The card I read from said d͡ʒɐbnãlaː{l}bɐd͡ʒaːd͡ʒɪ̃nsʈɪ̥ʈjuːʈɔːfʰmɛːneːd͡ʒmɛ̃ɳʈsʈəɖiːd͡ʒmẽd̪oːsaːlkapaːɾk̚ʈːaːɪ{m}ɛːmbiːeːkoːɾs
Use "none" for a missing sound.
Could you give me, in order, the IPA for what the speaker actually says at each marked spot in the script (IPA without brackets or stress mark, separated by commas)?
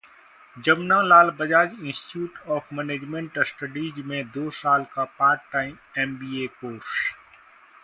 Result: l, m